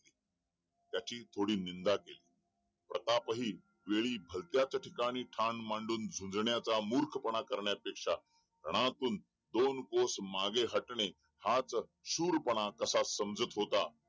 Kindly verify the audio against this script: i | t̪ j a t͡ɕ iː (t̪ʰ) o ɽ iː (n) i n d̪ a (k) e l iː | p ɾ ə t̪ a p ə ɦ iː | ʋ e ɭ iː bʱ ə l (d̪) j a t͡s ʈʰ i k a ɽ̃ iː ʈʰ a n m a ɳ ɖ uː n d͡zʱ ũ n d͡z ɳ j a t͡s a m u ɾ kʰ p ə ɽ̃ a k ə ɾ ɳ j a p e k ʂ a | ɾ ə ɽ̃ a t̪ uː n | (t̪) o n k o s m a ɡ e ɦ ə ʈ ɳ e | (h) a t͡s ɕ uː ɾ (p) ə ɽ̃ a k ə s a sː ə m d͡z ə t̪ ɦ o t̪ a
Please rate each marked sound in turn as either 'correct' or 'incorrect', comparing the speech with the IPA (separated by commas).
correct, correct, correct, incorrect, incorrect, correct, correct